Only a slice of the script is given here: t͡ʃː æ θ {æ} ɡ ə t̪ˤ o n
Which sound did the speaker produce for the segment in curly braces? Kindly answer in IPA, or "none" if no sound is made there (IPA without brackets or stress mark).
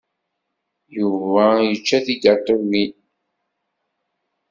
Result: i